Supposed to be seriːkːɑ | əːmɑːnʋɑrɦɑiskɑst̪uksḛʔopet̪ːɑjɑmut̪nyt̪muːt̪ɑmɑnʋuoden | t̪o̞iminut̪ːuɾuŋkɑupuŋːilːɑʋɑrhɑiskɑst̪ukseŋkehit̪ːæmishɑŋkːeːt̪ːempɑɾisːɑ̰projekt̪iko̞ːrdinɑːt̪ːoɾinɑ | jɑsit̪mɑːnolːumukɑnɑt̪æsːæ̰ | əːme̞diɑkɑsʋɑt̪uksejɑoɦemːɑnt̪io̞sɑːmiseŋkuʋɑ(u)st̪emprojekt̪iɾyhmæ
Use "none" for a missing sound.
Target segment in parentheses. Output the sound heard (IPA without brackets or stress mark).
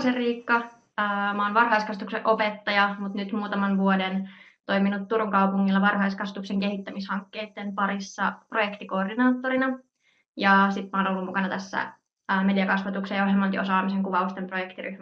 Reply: u